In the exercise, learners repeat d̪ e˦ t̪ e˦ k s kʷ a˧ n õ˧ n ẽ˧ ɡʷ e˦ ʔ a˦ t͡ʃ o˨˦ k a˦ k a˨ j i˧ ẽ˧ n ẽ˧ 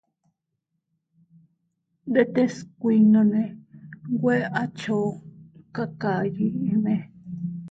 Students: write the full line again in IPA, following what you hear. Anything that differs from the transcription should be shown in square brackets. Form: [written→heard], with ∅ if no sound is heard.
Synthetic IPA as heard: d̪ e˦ t̪ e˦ [k→∅] s kʷ [a˧→i˧] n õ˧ n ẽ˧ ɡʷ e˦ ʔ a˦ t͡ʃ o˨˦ k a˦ k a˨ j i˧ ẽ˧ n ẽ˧

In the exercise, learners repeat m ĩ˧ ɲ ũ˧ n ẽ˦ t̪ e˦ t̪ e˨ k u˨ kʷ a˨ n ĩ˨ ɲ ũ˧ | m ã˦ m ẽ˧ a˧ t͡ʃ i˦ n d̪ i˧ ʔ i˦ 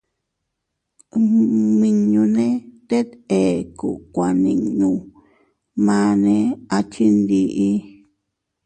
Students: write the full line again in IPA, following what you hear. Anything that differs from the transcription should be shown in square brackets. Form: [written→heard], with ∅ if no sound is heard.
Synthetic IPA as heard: m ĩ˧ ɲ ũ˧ n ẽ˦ t̪ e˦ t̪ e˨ k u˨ kʷ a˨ n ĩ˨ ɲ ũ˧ | m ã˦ [m→n] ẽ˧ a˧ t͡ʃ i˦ n d̪ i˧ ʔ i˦

